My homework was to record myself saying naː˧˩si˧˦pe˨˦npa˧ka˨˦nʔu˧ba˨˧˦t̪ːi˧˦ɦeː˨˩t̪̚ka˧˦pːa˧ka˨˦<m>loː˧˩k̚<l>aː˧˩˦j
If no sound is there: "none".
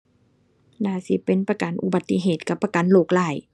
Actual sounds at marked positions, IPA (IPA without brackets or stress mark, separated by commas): n, l